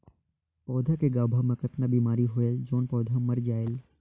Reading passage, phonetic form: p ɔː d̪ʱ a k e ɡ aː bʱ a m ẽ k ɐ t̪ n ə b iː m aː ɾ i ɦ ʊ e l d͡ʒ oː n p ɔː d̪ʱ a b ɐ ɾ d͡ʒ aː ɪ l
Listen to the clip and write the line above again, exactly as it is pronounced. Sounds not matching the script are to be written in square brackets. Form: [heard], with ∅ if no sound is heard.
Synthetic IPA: p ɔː d̪ʱ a k e ɡ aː bʱ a m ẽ k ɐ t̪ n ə b iː m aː ɾ i ɦ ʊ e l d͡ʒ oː n p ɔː d̪ʱ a [m] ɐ ɾ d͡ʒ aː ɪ l